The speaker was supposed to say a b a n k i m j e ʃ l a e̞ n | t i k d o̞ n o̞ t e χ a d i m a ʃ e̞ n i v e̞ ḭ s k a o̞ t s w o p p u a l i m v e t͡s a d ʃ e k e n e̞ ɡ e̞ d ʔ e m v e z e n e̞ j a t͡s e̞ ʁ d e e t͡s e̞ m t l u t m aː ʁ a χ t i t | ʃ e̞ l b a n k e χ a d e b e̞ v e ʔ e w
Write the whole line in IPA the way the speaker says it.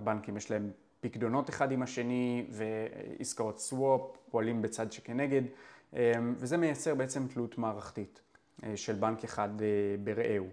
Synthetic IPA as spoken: a b a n k i m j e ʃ l a e̞ m | p i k d o̞ n o̞ t e χ a d i m a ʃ e̞ n i v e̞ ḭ s k a o̞ t s w o p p o a l i m b e t͡s a d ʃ e k e n e̞ ɡ e̞ d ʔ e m v e z e m e̞ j a t͡s e̞ ʁ b e e t͡s e̞ m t l u t m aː ʁ a χ t i t | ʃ e̞ l b a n k e χ a d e b e̞ ʁ e ʔ e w